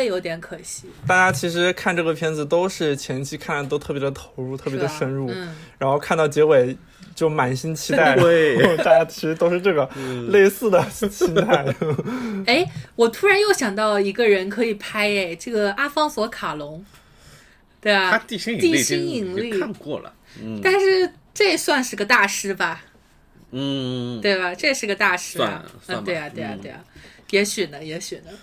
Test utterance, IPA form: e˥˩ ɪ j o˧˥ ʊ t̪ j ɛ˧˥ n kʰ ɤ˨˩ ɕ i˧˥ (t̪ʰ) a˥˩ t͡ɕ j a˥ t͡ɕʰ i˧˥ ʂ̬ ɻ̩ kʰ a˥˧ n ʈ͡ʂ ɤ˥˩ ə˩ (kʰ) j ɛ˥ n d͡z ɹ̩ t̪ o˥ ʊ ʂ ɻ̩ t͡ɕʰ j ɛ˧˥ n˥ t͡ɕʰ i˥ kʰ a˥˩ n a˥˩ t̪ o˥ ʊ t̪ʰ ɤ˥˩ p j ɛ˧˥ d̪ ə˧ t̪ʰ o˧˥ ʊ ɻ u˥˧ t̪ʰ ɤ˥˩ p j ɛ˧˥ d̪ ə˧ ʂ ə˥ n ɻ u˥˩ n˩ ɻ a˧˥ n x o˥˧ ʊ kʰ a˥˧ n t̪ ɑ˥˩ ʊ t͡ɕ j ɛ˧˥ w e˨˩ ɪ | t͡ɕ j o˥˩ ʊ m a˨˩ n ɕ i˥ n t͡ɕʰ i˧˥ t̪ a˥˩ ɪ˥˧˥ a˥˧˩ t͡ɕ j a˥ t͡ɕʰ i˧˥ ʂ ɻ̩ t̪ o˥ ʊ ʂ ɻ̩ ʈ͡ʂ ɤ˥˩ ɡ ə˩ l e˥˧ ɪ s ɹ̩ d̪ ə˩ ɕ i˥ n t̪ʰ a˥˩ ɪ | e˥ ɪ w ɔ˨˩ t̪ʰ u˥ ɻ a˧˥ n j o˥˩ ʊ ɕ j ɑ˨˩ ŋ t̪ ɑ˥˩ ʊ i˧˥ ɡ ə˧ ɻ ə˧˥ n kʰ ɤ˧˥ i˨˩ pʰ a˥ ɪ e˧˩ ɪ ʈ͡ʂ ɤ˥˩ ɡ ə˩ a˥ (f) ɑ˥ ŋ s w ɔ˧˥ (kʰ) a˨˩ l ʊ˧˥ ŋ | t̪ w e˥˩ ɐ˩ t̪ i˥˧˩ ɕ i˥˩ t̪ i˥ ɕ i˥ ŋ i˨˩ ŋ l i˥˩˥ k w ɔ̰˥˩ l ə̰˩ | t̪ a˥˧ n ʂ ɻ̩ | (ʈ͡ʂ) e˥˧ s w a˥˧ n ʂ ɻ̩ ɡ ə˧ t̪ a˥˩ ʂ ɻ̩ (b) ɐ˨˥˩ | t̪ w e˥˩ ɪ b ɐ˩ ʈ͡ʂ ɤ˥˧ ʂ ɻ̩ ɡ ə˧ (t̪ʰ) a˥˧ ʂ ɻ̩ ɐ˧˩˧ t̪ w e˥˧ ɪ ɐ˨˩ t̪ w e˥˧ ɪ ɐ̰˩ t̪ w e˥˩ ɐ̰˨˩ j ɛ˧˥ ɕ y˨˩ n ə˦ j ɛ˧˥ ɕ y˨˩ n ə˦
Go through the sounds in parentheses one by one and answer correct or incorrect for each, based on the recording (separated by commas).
incorrect, incorrect, correct, correct, correct, correct, incorrect